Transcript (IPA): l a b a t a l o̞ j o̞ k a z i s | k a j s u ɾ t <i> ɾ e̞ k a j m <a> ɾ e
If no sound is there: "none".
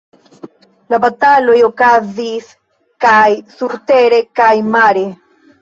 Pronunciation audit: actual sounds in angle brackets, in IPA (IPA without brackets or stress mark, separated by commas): e, a